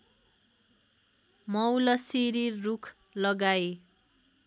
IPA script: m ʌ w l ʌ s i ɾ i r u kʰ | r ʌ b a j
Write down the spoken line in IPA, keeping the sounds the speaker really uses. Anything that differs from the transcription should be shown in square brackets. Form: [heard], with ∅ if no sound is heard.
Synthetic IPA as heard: m ʌ w l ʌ s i ɾ i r u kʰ | [l] ʌ [ɡ] a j